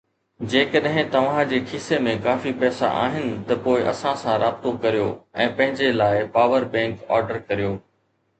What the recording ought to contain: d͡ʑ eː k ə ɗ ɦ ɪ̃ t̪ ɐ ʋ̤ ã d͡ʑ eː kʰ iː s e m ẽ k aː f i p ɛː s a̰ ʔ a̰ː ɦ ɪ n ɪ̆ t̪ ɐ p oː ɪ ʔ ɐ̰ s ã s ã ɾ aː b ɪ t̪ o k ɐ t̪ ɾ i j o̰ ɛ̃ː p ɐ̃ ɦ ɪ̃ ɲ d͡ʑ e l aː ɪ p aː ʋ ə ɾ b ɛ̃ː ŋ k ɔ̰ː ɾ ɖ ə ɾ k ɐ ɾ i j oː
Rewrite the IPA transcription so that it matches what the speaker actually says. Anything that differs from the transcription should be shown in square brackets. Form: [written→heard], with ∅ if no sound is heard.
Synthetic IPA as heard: d͡ʑ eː k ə ɗ ɦ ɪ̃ t̪ ɐ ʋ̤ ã d͡ʑ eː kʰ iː s e m ẽ k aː f i p ɛː s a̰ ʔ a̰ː ɦ ɪ n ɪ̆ t̪ ɐ p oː ɪ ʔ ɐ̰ s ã s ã ɾ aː b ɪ t̪ o k ɐ [t̪→∅] ɾ i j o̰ ɛ̃ː p ɐ̃ ɦ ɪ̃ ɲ d͡ʑ e l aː ɪ p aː ʋ ə ɾ b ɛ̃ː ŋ k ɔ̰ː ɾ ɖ ə ɾ k ɐ ɾ i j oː

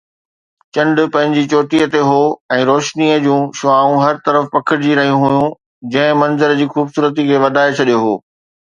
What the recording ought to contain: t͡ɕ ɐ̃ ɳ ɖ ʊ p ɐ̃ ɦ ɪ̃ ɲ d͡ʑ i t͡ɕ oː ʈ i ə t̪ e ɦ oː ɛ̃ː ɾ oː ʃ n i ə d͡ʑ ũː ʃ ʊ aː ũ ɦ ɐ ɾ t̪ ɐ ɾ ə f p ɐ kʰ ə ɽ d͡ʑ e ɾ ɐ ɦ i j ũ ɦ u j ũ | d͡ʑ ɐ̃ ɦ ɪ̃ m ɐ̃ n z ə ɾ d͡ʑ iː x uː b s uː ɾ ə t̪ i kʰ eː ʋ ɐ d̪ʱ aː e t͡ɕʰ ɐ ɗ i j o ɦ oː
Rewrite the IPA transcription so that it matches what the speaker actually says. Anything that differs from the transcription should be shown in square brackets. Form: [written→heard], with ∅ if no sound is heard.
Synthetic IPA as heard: t͡ɕ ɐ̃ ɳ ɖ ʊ p ɐ̃ ɦ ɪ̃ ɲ d͡ʑ i t͡ɕ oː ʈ i ə t̪ e ɦ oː ɛ̃ː ɾ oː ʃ n i ə d͡ʑ ũː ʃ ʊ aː ũ ɦ ɐ ɾ t̪ ɐ ɾ ə f p ɐ kʰ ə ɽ d͡ʑ [e→i] ɾ ɐ ɦ i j ũ ɦ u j ũ | d͡ʑ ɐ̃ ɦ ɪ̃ m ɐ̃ n z ə ɾ d͡ʑ iː x uː b s uː ɾ ə t̪ i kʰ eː ʋ ɐ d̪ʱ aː e t͡ɕʰ ɐ ɗ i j o ɦ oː

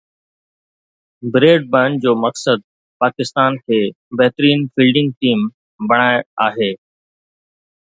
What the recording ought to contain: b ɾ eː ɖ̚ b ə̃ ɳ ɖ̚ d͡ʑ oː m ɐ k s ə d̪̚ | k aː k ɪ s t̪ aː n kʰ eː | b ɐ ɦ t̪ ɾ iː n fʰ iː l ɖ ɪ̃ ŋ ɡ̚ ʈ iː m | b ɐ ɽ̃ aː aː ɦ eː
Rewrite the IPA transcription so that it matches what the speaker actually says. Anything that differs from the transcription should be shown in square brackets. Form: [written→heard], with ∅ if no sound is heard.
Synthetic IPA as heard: b ɾ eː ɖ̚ b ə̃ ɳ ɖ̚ d͡ʑ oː m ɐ k s ə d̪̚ | [k→p] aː k ɪ s t̪ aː n kʰ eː | b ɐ ɦ t̪ ɾ iː n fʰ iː l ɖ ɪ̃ ŋ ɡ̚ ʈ iː m | b ɐ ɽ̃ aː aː ɦ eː

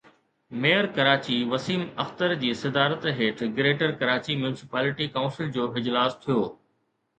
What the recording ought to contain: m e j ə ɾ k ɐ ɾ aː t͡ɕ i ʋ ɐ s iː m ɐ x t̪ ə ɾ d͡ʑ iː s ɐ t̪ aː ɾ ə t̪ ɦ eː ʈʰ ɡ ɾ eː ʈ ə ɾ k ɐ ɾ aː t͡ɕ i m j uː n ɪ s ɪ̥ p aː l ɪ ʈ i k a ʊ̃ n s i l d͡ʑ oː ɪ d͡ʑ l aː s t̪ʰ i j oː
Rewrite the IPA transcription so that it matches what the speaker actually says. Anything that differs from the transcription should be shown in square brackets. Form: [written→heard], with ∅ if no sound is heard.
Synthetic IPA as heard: m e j ə ɾ k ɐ ɾ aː t͡ɕ i ʋ ɐ s iː m ɐ x t̪ ə ɾ d͡ʑ iː s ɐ [t̪→d̪] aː ɾ ə t̪ ɦ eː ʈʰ ɡ ɾ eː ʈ ə ɾ k ɐ ɾ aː t͡ɕ i m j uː n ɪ s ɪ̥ p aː l ɪ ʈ i k a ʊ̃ n s [i→ɪ] l d͡ʑ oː ɪ d͡ʑ l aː s t̪ʰ i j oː

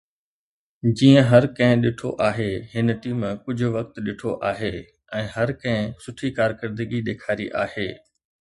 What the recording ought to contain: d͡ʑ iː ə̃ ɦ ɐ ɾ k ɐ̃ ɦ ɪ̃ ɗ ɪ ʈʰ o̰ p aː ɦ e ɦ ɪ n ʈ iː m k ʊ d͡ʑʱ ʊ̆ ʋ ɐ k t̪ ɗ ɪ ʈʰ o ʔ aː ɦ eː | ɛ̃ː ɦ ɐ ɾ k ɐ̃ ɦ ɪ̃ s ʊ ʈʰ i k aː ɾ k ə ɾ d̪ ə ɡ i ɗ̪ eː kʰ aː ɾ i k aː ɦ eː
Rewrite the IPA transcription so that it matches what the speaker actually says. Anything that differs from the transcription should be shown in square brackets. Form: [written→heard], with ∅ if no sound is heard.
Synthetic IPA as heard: d͡ʑ iː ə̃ ɦ ɐ ɾ k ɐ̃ ɦ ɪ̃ ɗ ɪ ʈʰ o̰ [p→ʔ] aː ɦ e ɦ ɪ n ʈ iː m k ʊ d͡ʑʱ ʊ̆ ʋ ɐ k t̪ ɗ ɪ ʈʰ o ʔ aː ɦ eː | ɛ̃ː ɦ ɐ ɾ k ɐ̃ ɦ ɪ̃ s ʊ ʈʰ i k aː ɾ k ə ɾ d̪ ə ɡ i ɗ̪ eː kʰ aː ɾ i [k→ʔ] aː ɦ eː

